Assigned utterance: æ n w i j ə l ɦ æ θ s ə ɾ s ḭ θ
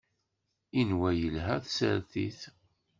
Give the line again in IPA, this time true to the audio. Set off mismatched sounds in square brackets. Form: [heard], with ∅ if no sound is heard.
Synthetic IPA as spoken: [i] n w [æ] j ə l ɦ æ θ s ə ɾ [θ] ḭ θ

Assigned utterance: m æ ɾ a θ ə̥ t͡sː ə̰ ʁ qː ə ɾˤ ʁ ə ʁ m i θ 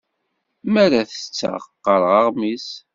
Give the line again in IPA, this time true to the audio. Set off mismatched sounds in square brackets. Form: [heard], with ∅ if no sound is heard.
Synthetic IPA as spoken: m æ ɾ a θ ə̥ t͡sː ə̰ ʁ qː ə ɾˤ ʁ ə ʁ m i [s]

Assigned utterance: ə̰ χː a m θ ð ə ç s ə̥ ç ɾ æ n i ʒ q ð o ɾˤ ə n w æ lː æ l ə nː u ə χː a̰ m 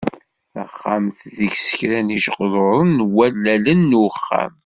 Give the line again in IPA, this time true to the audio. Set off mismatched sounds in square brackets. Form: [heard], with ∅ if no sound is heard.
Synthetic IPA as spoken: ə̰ χː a m θ ð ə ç s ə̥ ç ɾ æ n i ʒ q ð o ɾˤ ə n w æ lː æ l ə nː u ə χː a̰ m

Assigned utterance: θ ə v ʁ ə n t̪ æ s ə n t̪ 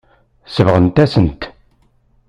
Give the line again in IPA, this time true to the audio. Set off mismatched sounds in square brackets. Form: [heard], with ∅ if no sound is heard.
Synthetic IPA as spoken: [s] ə v ʁ ə n t̪ æ s ə n t̪

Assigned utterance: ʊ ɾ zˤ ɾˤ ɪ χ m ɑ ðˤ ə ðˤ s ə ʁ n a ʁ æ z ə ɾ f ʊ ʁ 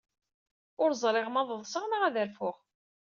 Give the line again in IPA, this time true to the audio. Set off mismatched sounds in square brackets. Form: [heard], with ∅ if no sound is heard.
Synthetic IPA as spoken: ʊ ɾ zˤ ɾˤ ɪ [ʁ] m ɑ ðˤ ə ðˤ s ə ʁ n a ʁ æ [ð] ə ɾ f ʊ ʁ

